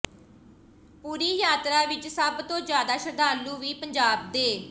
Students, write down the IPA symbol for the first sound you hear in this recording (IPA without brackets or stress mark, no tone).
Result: p